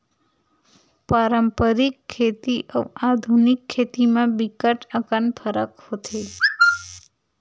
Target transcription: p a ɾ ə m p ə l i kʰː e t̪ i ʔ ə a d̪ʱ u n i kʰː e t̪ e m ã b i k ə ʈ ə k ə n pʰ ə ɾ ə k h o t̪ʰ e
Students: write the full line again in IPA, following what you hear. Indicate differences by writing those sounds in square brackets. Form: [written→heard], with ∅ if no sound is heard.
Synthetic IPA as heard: p a ɾ ə m p ə [l→ɾ] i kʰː e t̪ i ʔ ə a d̪ʱ u n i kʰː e t̪ [e→i] m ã b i k ə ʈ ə k ə n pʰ ə ɾ ə k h o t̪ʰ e